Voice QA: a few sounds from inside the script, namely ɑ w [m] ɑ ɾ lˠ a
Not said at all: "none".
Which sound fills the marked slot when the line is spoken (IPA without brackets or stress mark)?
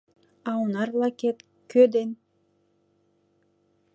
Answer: n